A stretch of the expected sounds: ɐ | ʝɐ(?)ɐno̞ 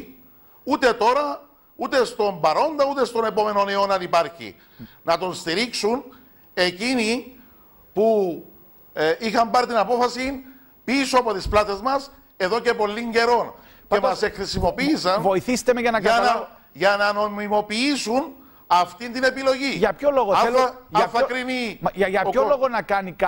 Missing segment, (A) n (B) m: A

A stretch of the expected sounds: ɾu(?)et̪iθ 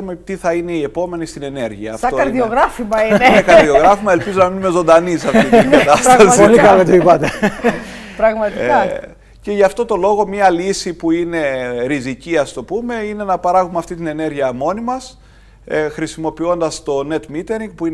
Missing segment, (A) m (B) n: A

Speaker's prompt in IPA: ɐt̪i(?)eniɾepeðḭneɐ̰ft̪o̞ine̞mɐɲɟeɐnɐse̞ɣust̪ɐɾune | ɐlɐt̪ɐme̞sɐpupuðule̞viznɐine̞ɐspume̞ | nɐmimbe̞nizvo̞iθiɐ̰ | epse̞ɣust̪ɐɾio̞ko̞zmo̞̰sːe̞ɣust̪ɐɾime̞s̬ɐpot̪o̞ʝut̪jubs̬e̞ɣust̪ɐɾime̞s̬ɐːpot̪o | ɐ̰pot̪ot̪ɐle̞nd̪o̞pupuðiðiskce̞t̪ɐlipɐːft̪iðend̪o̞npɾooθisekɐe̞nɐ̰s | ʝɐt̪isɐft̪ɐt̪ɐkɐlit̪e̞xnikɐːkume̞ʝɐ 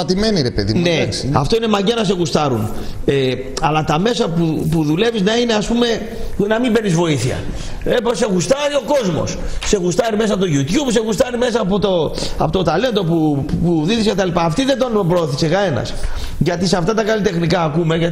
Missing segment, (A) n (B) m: B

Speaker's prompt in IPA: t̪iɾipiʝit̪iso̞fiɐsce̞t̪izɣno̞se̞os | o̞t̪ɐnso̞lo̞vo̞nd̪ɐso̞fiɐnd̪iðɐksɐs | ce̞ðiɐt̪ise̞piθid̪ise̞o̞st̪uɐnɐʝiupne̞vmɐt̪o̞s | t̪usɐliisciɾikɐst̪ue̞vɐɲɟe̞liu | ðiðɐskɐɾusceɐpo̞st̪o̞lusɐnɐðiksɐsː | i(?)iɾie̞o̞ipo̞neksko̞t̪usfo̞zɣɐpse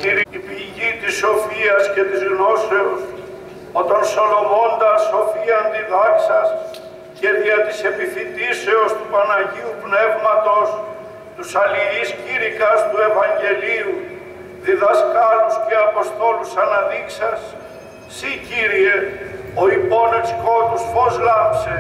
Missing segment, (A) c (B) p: A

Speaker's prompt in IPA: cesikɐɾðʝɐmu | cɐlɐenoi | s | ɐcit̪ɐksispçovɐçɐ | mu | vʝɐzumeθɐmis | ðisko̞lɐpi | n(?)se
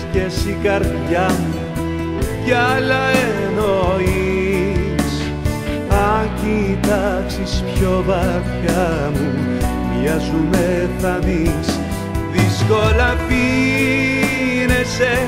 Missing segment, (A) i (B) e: B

